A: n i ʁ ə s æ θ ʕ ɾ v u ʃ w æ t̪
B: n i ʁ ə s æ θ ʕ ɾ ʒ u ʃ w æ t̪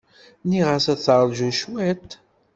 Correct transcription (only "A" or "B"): B